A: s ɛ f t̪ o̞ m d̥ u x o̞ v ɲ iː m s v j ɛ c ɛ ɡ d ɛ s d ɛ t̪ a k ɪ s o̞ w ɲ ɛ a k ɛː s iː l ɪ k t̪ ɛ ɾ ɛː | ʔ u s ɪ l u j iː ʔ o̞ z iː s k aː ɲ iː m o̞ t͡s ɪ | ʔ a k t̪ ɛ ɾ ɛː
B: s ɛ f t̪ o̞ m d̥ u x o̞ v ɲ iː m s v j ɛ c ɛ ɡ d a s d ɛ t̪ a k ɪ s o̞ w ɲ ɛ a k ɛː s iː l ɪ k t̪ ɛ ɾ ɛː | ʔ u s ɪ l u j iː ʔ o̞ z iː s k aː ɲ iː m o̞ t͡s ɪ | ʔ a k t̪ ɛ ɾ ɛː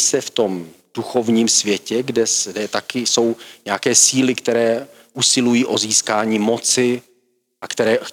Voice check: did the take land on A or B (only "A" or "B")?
A